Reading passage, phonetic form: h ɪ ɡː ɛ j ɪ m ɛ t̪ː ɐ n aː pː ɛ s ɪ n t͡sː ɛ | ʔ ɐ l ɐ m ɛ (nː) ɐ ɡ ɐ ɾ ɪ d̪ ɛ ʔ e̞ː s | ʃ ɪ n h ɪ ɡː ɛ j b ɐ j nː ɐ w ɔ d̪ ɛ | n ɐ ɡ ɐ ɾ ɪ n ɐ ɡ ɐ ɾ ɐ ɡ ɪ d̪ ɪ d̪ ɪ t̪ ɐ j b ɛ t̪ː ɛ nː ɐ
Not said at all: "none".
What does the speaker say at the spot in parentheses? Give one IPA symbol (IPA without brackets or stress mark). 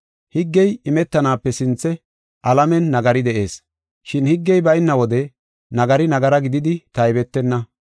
nː